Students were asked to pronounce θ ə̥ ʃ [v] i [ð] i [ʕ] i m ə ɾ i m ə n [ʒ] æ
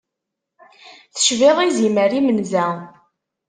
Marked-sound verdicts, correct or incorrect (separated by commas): correct, incorrect, incorrect, incorrect